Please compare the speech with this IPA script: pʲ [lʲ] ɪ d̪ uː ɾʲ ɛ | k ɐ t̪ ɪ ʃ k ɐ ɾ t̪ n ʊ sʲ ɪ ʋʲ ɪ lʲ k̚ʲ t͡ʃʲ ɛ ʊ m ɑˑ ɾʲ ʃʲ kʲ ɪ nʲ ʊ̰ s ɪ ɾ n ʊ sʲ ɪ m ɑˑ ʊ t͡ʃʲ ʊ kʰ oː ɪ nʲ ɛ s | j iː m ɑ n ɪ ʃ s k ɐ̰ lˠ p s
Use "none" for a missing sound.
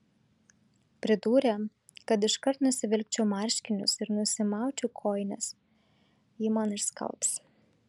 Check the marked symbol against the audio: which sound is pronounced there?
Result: ɾʲ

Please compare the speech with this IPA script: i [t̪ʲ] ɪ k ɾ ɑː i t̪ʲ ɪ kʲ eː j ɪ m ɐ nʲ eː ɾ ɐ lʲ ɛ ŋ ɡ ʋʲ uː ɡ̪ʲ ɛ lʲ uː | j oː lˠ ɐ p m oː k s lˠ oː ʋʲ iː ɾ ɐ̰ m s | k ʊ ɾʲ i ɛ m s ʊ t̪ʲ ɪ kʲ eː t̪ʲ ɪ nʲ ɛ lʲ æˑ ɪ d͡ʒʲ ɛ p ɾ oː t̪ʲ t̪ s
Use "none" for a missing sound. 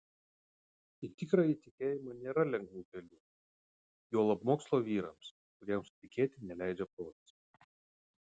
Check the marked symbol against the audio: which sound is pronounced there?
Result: t̪ʲ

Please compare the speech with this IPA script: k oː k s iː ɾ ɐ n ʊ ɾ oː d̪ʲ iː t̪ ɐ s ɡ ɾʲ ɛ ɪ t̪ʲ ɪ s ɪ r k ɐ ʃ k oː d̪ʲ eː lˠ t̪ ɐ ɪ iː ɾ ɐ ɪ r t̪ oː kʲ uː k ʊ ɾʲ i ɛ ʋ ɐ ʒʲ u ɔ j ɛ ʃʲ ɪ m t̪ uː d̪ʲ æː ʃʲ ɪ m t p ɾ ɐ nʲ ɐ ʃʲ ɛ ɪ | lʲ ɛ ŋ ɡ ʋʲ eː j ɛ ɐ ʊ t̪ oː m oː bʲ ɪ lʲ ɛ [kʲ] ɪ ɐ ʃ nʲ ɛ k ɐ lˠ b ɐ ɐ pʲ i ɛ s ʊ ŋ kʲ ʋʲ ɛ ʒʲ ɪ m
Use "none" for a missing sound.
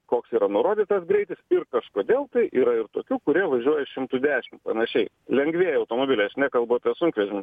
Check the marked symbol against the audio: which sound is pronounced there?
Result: none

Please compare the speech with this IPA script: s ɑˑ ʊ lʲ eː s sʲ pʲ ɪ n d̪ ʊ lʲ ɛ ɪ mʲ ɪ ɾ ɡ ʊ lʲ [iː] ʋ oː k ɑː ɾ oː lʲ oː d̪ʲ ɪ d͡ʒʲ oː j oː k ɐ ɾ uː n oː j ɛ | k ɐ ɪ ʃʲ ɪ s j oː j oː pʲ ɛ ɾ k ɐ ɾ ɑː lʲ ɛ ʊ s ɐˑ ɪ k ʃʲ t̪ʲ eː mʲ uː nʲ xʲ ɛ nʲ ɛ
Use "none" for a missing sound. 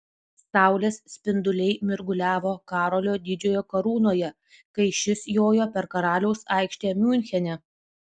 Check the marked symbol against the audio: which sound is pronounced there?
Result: æː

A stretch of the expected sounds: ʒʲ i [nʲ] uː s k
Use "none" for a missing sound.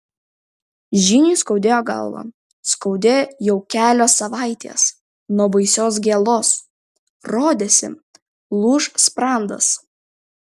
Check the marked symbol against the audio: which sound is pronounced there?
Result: nʲ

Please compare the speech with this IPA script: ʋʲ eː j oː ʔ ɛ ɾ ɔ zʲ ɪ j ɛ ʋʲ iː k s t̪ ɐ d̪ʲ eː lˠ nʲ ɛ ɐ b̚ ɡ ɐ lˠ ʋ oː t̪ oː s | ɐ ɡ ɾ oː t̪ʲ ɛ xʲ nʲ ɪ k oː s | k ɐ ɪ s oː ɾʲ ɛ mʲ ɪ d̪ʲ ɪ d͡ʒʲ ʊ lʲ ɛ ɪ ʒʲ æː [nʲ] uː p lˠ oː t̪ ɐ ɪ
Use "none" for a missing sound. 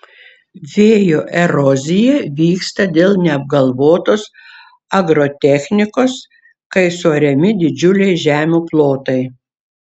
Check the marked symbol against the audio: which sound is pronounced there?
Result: mʲ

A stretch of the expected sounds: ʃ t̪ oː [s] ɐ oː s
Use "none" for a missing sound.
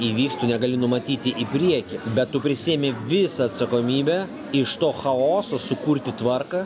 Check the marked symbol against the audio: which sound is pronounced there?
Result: x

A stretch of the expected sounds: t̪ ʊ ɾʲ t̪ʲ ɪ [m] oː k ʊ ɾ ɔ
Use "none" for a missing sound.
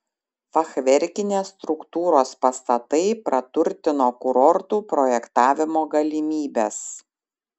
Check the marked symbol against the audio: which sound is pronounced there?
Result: n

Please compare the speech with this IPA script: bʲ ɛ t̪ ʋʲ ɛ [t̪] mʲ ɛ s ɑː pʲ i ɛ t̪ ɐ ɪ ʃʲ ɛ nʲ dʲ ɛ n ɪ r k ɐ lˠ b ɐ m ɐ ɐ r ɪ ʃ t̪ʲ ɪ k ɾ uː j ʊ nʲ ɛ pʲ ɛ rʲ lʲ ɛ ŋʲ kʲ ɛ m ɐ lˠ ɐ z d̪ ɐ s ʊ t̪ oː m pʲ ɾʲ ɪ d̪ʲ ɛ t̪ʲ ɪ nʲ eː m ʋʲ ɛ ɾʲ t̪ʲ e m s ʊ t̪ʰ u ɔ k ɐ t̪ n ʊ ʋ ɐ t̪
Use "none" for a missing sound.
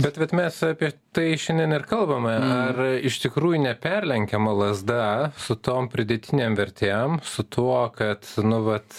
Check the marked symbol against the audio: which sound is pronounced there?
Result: t̪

